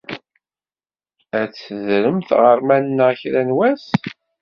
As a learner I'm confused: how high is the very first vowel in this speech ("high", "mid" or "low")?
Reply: low